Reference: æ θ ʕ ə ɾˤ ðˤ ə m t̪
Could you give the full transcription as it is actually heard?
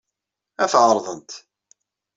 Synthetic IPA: æ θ ʕ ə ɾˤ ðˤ ə n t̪